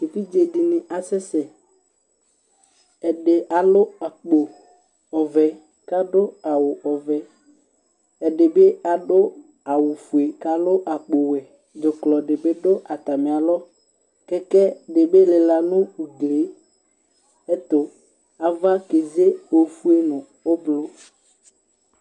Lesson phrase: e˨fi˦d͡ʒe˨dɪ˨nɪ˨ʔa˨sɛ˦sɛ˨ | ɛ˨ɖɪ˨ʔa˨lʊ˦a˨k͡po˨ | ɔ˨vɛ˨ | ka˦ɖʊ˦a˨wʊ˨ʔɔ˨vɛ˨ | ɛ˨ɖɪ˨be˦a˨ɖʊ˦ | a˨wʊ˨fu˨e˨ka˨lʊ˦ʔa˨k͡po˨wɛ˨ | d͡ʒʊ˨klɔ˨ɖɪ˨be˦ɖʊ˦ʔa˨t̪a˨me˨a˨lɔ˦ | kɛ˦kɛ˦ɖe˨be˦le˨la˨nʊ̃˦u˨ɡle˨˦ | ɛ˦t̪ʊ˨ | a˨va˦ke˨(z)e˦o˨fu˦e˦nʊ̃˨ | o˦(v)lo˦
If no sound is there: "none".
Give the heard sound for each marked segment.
z, b

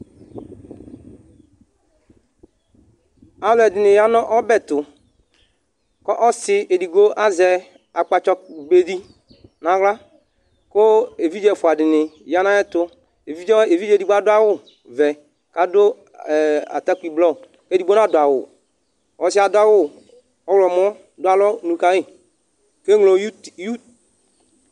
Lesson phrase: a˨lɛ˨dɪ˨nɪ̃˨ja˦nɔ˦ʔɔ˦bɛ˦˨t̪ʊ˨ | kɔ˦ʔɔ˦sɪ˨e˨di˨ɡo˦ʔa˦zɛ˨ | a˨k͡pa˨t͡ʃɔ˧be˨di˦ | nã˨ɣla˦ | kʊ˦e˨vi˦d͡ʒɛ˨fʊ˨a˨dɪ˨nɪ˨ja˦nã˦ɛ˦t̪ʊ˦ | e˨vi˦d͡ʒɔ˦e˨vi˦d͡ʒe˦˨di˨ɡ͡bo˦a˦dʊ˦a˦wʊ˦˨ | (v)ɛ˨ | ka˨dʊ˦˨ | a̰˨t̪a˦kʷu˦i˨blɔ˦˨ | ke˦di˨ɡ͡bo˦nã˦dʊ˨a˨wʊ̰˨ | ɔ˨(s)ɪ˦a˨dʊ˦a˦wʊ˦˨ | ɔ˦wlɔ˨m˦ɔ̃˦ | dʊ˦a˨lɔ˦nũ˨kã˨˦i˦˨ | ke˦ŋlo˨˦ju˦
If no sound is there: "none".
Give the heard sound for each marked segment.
v, s

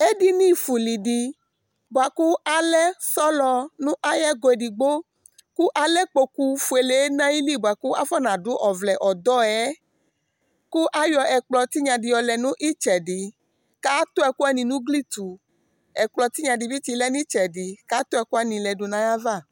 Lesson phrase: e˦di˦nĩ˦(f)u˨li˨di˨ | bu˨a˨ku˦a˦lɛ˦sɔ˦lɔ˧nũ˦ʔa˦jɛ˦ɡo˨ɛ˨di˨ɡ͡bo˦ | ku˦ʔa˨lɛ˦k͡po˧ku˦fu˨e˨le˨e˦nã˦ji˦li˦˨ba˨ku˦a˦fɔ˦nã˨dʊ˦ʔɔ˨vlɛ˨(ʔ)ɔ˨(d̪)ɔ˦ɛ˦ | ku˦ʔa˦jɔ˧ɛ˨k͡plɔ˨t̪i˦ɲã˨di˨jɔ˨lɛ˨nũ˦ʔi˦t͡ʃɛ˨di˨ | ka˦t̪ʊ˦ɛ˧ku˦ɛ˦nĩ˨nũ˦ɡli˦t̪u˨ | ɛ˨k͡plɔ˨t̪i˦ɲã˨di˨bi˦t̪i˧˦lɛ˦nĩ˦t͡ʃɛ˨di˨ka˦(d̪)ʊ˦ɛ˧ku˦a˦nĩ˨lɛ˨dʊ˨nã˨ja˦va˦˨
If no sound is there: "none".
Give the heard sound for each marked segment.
f, ʔ, d̪, t̪

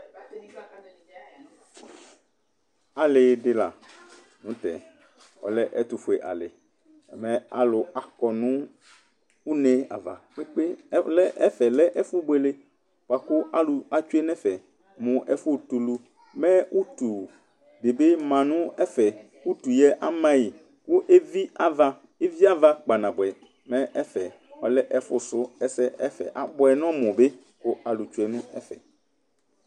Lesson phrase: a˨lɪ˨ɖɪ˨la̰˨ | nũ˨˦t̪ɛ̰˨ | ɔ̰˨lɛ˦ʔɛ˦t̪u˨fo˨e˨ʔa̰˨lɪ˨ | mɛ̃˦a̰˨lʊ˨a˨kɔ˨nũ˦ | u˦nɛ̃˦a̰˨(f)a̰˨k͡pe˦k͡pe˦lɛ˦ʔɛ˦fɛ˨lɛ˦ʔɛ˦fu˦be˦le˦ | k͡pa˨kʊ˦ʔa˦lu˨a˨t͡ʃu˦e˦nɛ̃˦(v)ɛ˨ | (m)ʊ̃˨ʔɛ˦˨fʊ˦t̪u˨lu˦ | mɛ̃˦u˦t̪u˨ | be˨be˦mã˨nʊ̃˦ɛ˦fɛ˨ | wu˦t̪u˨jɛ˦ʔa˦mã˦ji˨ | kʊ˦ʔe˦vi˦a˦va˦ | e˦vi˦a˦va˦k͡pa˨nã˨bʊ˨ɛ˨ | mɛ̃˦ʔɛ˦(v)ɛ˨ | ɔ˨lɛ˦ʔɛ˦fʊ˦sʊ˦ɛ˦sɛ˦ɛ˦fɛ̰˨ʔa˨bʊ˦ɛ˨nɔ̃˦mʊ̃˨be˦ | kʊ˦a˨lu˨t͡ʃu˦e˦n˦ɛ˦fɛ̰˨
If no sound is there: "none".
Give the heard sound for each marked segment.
v, f, m, f

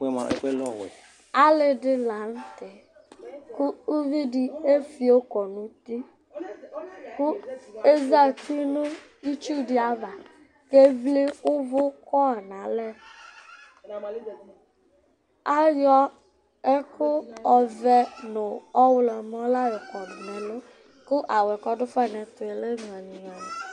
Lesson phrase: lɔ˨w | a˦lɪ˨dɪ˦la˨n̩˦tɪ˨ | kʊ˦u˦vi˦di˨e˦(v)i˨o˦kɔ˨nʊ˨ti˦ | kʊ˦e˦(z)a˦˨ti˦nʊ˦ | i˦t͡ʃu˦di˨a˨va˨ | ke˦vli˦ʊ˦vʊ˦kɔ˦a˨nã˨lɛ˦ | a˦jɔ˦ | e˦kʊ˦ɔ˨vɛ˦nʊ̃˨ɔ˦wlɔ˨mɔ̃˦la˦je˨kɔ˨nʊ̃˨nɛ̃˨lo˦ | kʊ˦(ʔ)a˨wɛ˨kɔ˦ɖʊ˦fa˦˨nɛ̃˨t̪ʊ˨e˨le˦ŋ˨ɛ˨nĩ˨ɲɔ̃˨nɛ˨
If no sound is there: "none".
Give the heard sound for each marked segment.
f, z, ʔ

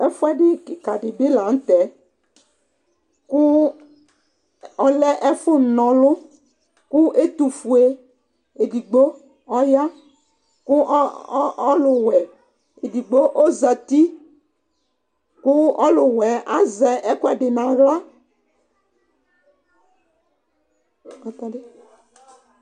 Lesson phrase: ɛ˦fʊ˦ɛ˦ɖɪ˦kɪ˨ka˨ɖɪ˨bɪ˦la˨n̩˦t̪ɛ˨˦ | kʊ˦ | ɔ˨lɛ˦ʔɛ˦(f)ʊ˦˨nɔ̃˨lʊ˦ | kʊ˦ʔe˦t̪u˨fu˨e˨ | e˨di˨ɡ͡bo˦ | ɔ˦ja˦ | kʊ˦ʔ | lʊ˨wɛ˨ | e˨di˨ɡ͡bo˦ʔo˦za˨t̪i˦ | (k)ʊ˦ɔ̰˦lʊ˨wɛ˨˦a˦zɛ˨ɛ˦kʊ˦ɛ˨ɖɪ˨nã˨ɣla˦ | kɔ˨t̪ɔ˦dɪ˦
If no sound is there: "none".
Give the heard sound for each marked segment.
f, k

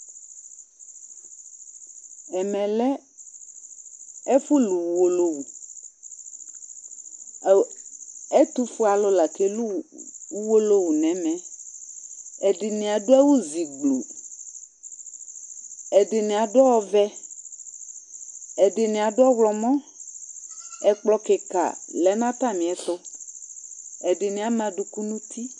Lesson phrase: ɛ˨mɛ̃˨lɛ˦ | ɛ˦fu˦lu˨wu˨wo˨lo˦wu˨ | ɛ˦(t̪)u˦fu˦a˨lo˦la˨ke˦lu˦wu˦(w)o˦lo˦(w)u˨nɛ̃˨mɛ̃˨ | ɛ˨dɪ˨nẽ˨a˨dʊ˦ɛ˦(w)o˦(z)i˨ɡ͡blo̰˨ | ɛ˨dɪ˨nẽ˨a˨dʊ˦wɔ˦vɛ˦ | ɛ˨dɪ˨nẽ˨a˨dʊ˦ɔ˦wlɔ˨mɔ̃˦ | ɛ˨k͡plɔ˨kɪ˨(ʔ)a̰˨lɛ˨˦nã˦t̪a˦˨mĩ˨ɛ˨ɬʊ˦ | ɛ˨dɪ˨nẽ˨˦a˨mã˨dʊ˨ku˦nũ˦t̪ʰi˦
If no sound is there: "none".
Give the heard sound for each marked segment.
t̪, w, w, w, z, k

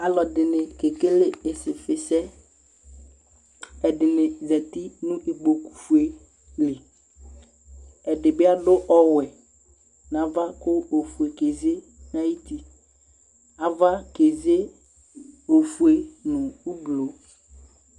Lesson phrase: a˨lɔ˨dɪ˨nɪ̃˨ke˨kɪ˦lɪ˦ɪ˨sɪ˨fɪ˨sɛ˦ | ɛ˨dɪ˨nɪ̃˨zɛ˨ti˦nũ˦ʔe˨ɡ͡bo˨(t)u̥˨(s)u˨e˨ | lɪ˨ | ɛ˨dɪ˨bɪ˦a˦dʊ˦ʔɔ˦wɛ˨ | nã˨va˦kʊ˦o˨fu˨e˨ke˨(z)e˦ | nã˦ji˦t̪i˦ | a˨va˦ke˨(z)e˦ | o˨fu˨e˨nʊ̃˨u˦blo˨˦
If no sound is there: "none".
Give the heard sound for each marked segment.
k, f, z, z

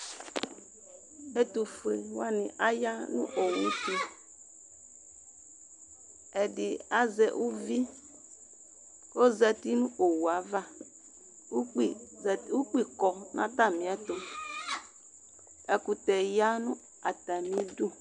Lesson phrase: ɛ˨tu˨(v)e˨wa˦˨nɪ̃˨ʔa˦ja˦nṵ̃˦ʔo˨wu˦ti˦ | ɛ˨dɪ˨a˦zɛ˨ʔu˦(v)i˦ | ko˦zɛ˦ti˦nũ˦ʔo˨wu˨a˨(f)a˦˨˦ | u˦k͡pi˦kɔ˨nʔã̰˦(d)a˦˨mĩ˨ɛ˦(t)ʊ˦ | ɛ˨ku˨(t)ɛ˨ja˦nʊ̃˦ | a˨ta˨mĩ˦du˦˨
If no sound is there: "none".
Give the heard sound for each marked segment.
f, v, v, t, t, t

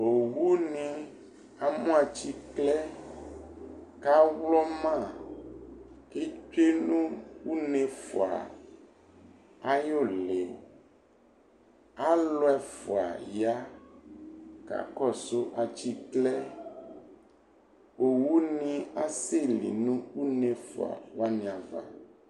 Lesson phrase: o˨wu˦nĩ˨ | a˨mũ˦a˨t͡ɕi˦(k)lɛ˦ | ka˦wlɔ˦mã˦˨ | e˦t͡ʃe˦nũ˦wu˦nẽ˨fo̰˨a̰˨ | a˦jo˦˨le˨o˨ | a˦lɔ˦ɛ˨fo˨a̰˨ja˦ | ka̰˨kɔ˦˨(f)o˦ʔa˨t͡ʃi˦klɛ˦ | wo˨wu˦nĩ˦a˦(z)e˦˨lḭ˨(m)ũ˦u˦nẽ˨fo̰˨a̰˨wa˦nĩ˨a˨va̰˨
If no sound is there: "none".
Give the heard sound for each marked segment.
k, s, s, n

